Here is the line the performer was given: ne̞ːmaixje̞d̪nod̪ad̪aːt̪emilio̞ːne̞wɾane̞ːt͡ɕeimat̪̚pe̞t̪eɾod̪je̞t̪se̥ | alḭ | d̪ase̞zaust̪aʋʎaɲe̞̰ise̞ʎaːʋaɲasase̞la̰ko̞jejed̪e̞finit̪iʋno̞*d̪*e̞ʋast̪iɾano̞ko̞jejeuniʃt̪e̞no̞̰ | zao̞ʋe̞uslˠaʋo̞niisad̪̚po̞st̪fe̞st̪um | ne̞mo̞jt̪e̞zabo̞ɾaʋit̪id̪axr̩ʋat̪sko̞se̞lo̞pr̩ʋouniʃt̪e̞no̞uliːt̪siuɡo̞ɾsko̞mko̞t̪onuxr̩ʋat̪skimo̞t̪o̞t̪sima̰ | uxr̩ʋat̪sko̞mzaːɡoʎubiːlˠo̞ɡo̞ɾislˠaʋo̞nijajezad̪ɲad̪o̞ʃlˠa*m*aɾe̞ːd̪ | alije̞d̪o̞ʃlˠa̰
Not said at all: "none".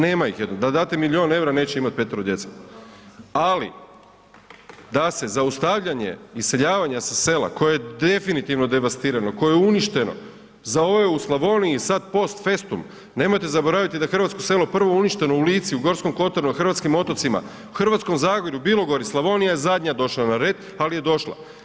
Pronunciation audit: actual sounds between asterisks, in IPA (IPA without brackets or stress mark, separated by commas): d̪, n